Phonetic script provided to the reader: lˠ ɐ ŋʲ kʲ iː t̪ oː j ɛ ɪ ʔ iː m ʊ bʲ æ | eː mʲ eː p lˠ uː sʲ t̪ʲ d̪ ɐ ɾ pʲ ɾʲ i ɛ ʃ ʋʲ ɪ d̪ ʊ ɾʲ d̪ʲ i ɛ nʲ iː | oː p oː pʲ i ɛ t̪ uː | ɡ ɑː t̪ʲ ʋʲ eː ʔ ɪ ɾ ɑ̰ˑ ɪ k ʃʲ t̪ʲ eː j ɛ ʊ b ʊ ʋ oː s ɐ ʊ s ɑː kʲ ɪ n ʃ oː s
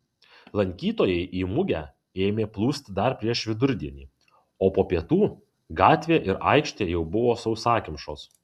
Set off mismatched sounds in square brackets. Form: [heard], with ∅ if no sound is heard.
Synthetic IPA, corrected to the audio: lˠ ɐ ŋʲ kʲ iː t̪ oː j ɛ ɪ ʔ iː m ʊ [ɡʲ] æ | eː mʲ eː p lˠ uː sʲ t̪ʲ d̪ ɐ ɾ pʲ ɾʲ i ɛ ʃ ʋʲ ɪ d̪ ʊ ɾʲ d̪ʲ i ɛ nʲ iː | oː p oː pʲ i ɛ t̪ uː | ɡ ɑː t̪ʲ ʋʲ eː ʔ ɪ ɾ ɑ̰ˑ ɪ k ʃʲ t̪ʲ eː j ɛ ʊ b ʊ ʋ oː s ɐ ʊ s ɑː kʲ ɪ [m] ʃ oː s